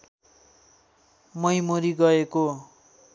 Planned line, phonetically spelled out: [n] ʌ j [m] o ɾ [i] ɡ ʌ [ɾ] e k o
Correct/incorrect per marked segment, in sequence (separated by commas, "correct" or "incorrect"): incorrect, correct, correct, incorrect